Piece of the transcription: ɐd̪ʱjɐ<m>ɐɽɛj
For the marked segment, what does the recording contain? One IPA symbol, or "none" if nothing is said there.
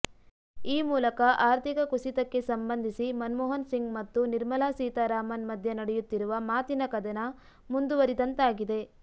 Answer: n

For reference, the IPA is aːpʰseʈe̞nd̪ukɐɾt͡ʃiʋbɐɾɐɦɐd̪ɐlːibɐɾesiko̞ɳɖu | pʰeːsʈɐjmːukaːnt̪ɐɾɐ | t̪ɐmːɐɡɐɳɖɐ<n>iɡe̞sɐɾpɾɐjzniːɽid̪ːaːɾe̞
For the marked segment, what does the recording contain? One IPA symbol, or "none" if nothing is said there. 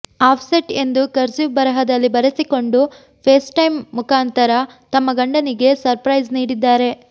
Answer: n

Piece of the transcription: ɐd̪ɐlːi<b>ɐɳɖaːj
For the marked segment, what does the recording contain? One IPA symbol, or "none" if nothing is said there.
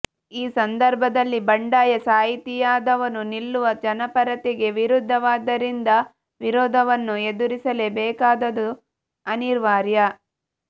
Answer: b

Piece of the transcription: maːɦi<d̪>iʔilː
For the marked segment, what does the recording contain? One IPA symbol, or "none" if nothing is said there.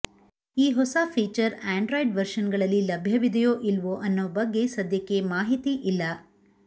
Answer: t̪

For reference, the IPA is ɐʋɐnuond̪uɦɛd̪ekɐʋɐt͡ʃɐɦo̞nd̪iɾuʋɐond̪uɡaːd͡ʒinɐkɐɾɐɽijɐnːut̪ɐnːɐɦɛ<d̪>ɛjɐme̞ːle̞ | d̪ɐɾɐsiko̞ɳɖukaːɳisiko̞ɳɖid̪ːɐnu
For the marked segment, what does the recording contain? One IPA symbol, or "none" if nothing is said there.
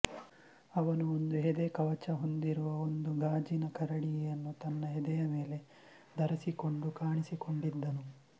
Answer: d̪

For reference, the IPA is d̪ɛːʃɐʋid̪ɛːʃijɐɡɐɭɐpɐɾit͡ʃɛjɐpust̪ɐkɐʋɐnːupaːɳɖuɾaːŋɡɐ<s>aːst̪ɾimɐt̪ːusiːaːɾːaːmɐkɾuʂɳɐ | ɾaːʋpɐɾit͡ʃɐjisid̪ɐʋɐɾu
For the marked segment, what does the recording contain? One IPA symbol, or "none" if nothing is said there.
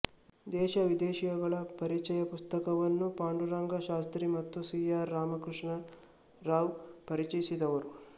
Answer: ʃ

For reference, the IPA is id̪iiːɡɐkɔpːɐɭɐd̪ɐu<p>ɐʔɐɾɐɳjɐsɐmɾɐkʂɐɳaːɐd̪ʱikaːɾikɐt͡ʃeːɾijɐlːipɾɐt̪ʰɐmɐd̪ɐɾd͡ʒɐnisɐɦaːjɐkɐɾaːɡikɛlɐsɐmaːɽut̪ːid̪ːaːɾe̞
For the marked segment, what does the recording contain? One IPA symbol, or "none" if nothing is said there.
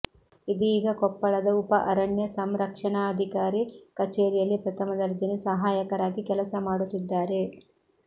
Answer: p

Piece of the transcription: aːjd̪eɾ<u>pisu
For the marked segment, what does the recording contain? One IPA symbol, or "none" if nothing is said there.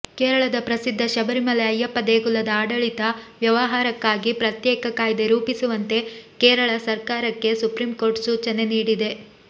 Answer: uː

